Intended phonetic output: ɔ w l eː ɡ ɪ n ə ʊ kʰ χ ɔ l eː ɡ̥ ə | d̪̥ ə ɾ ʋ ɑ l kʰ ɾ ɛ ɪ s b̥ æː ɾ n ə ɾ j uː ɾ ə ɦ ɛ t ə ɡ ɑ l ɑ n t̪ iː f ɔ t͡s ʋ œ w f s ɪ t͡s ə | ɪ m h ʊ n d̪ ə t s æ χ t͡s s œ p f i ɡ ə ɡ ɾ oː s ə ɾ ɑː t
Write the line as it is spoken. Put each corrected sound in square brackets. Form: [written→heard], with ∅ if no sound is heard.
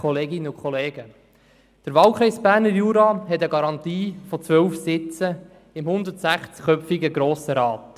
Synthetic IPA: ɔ [w→∅] l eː ɡ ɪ n ə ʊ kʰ χ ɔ l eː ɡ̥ ə | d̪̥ ə ɾ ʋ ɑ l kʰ ɾ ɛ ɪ s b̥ æː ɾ n ə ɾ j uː ɾ [ə→ɑ] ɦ ɛ t ə ɡ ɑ [l→ɾ] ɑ n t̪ iː f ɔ t͡s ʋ œ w f s ɪ t͡s ə | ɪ m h ʊ n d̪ ə t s æ χ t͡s [s→χ] œ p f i ɡ ə ɡ ɾ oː s ə ɾ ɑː t